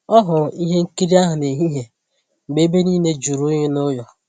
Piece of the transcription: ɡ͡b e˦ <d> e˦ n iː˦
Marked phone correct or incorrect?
incorrect